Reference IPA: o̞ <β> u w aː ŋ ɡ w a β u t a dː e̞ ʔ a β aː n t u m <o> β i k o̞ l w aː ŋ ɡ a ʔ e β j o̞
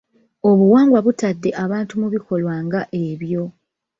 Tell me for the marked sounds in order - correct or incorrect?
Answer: correct, incorrect

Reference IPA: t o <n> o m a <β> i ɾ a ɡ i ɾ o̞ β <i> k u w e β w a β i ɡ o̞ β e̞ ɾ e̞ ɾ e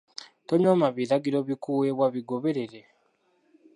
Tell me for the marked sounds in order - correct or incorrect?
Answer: incorrect, correct, correct

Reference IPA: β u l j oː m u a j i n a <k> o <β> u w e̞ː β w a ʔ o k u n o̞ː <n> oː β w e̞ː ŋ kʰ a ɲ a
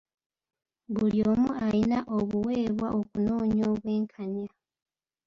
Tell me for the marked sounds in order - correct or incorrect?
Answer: incorrect, correct, incorrect

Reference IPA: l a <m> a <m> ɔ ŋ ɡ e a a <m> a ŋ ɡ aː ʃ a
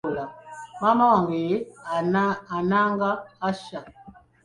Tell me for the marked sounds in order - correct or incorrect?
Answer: correct, correct, incorrect

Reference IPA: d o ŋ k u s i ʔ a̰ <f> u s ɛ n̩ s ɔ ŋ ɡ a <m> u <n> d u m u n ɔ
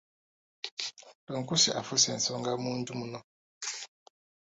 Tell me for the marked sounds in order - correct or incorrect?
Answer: correct, correct, correct

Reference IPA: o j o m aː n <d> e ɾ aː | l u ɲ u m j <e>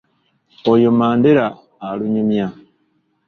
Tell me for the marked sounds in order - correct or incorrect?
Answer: correct, incorrect

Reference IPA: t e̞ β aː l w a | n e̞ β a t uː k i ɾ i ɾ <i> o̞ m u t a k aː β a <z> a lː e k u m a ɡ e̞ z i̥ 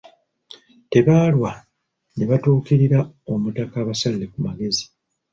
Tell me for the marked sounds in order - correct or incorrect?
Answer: incorrect, incorrect

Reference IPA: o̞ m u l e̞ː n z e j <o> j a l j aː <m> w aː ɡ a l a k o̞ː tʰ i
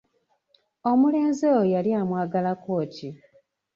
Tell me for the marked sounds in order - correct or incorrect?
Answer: correct, correct

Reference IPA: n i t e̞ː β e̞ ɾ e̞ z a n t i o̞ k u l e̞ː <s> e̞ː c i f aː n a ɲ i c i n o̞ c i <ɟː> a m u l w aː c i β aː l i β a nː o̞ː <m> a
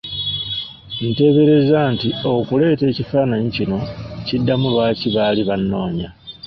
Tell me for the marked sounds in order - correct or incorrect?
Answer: incorrect, incorrect, incorrect

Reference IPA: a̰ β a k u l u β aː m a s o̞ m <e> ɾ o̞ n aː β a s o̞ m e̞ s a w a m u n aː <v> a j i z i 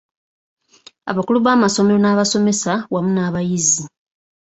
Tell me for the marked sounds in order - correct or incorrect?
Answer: correct, incorrect

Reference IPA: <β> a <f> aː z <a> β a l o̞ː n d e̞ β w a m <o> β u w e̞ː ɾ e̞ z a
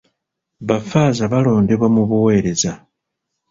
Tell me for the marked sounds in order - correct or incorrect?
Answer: correct, correct, correct, incorrect

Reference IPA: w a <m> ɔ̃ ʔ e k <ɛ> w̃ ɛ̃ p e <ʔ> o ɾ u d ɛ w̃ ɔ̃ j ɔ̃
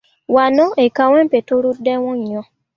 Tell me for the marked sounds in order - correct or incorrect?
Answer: incorrect, incorrect, incorrect

